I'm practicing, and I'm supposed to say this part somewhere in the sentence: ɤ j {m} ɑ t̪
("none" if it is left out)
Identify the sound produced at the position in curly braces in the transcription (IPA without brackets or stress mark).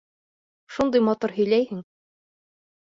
m